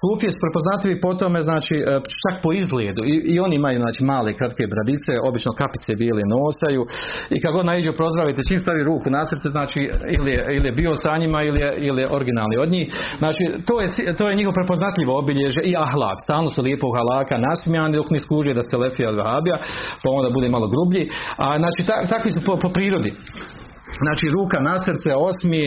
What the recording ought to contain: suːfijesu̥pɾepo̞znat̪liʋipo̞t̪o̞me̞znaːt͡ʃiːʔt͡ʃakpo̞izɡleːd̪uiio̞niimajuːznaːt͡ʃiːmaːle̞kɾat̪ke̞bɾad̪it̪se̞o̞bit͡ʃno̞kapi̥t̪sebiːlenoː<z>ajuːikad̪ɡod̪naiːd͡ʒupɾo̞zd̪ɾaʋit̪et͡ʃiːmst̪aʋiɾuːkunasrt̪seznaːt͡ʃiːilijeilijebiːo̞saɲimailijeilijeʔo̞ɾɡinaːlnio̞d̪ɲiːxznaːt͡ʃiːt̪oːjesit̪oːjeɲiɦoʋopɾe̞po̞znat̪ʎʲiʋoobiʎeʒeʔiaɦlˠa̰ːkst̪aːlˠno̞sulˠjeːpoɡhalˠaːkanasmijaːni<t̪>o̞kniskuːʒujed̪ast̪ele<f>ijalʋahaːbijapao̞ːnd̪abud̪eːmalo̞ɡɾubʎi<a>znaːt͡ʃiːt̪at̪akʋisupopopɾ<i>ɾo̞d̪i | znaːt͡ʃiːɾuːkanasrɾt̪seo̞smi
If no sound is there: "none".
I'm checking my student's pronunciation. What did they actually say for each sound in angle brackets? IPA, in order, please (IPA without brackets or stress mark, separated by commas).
s, d̪, f, a, iː